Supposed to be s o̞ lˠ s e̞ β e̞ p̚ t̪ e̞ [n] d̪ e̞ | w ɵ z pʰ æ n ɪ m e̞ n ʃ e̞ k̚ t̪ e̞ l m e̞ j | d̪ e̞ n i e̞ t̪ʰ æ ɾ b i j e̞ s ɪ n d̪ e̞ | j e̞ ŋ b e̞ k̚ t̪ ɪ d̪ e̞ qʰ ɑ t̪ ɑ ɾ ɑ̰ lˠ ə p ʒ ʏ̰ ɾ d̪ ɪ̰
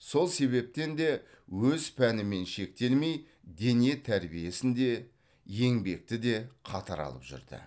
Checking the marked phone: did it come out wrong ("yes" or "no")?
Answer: no